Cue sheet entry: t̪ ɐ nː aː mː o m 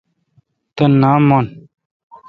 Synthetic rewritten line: t̪ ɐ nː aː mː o n